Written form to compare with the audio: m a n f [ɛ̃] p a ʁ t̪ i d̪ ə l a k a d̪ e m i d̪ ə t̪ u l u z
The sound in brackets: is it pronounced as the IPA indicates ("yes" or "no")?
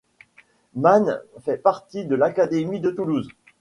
no